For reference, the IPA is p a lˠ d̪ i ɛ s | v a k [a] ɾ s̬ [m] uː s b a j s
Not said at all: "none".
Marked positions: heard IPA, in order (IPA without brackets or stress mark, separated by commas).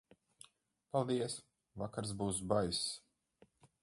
a, b